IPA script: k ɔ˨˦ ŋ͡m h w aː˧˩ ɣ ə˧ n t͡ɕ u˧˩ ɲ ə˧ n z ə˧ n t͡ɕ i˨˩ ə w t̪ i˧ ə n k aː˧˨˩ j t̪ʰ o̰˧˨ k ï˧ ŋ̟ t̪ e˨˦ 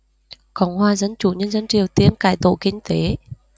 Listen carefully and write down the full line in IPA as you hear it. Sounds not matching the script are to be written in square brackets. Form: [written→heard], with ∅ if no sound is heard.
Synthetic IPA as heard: k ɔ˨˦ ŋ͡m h w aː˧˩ [ɣ→z] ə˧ n t͡ɕ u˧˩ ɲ ə˧ n z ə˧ n t͡ɕ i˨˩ ə w t̪ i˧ ə n k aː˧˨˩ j [t̪ʰ→t̪] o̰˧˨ k ï˧ ŋ̟ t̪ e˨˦